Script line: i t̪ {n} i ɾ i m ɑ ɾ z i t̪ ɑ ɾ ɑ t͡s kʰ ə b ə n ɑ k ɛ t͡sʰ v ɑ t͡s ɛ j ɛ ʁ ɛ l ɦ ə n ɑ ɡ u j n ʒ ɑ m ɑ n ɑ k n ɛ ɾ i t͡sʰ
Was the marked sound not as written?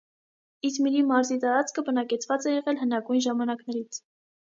yes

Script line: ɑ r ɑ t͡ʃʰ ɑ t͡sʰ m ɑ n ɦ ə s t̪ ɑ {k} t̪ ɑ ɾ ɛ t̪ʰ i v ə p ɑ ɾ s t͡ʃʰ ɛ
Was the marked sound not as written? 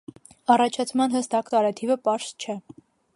no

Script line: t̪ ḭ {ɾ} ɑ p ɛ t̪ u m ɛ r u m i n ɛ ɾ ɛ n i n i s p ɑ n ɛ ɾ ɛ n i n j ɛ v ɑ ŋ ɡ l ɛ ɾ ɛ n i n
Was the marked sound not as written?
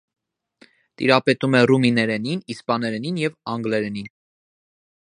no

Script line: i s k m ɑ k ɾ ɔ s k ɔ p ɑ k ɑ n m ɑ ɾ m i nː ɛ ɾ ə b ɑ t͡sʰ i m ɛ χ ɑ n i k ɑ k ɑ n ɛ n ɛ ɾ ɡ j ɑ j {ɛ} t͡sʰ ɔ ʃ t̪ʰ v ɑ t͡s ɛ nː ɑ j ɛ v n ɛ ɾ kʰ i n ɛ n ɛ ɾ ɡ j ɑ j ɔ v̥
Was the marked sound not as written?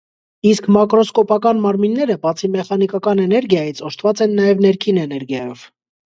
yes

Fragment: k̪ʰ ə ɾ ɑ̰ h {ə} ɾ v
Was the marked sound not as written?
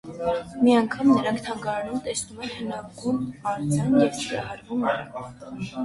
yes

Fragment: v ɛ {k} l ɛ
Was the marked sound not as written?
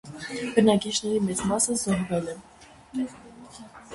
yes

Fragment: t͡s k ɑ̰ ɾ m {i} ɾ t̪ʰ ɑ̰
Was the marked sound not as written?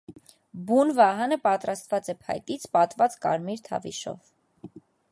no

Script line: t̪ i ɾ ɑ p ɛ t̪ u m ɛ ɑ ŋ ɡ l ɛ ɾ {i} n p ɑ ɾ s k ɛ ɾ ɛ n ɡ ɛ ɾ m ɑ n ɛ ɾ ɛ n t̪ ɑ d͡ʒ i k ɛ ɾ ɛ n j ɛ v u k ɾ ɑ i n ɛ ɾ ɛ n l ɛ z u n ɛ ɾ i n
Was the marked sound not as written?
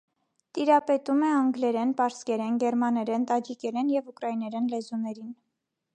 yes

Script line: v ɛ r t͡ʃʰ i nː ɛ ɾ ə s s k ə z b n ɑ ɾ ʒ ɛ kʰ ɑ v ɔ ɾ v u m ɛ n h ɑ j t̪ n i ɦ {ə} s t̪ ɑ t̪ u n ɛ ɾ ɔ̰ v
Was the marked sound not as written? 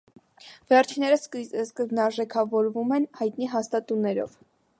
yes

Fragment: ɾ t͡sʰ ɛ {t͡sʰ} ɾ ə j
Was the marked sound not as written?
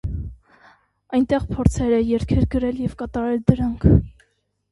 yes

